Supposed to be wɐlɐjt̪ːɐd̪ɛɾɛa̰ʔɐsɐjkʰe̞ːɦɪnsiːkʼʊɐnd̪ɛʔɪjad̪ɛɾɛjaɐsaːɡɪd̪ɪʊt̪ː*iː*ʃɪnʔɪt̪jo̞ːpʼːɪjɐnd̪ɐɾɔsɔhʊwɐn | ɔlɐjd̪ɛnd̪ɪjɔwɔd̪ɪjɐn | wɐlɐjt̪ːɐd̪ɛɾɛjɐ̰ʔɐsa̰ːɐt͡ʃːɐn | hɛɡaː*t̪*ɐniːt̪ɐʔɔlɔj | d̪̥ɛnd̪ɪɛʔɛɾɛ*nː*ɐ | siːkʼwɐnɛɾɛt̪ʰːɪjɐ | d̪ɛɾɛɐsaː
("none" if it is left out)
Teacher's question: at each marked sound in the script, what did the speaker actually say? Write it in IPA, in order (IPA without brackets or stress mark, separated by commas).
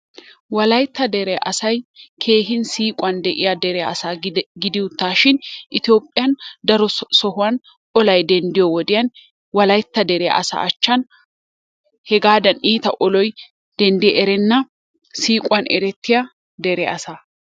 aː, d̪, nː